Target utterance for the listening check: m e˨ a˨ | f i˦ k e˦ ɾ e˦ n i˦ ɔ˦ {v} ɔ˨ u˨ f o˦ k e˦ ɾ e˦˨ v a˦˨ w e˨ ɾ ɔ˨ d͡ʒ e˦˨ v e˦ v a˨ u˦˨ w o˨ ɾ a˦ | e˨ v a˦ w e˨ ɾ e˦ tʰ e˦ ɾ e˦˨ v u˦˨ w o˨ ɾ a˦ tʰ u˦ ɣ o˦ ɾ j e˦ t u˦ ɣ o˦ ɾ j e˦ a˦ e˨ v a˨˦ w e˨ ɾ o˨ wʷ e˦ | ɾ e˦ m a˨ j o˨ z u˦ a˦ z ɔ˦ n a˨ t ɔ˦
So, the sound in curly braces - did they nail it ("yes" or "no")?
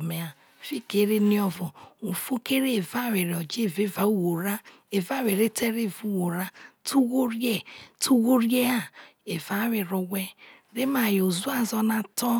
yes